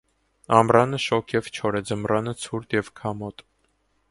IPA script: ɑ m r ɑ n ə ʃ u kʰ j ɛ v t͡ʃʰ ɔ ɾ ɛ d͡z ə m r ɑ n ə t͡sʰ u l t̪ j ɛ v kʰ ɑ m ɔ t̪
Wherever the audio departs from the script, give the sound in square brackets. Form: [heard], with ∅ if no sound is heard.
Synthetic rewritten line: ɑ m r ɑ n ə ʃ [ɔ] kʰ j ɛ v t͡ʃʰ ɔ ɾ ɛ d͡z ə m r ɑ n ə t͡sʰ u [ɾ] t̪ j ɛ v kʰ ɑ m ɔ t̪